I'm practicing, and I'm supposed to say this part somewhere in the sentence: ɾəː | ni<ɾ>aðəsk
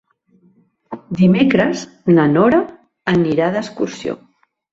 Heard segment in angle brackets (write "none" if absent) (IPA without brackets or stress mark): ɾ